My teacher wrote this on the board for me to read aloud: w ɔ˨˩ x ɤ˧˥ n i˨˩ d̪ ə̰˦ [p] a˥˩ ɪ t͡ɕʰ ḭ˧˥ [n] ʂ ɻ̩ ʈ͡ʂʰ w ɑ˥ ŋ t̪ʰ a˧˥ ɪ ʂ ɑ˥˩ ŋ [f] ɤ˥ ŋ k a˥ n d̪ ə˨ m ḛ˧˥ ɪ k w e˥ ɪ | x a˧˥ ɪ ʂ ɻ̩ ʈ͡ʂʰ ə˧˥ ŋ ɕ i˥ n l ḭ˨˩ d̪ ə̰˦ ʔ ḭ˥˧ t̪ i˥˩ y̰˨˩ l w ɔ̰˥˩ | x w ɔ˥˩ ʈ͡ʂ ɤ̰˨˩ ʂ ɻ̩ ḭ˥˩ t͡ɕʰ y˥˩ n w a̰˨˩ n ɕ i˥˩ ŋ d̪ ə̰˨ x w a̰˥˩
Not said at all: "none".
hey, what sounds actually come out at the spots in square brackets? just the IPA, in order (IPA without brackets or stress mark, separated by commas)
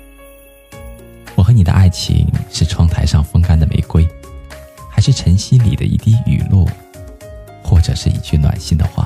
ʔ, ŋ, f